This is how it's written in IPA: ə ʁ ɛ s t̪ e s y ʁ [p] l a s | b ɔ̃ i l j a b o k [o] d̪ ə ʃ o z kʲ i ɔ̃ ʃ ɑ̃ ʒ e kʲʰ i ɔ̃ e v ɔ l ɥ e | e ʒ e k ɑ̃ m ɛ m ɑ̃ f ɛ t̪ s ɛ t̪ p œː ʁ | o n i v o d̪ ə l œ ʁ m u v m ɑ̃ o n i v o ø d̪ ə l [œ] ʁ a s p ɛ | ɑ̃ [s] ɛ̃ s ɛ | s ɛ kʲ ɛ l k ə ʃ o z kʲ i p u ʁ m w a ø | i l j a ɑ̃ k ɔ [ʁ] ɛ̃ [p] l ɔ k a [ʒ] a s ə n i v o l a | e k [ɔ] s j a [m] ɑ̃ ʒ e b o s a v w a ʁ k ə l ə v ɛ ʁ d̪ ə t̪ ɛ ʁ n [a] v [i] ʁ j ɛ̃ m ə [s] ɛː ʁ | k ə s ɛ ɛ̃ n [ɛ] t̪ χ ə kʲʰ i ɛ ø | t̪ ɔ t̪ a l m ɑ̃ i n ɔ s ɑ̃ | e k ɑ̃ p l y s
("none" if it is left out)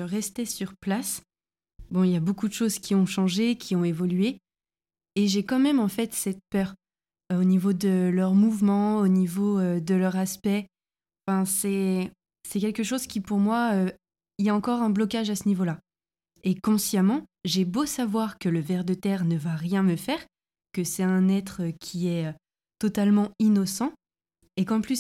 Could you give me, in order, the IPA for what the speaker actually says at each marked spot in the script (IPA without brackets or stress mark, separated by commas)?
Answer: p, u, œ, f, ʁ, b, ʒ, ɔ̃, m, ə, a, f, ɛ